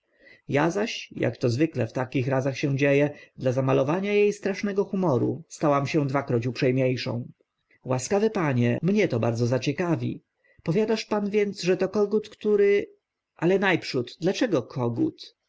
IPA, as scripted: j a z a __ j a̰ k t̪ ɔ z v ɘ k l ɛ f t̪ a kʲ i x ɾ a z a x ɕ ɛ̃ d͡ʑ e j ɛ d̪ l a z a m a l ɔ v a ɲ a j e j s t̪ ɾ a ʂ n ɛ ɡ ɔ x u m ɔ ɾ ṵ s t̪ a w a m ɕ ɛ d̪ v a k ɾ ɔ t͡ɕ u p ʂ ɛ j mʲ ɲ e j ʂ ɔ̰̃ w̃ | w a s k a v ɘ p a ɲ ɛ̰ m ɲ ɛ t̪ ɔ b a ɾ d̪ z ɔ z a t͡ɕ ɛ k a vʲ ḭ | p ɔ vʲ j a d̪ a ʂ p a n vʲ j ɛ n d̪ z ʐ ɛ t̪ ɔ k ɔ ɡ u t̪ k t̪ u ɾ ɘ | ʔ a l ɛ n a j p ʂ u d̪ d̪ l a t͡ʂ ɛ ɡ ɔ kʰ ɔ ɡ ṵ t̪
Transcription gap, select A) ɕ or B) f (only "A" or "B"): A